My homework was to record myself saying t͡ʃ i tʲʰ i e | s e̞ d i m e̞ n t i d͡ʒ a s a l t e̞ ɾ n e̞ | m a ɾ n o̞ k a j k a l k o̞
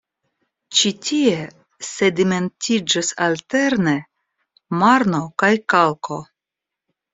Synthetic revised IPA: t͡ʃ i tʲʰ i e | s e̞ d i m e̞ n t i d͡ʒ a s a l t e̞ ɾ n e̞ | m a ɾ n o̞ k a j k a l k o̞